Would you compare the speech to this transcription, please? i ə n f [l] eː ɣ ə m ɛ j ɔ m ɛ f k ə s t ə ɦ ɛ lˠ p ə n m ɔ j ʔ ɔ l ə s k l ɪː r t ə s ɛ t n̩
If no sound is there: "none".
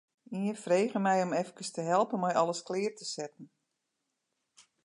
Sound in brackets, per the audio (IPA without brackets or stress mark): r